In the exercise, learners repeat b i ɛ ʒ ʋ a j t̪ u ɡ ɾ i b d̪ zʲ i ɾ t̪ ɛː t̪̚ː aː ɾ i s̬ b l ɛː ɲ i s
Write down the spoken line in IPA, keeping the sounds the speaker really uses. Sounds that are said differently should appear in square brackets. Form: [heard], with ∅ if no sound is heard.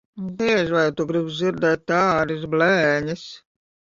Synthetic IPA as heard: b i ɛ ʒ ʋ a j t̪ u ɡ ɾ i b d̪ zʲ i ɾ [d̪] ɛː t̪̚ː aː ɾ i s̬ b l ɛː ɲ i s